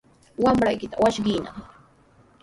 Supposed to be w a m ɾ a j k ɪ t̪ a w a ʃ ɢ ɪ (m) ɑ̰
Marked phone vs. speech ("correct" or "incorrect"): incorrect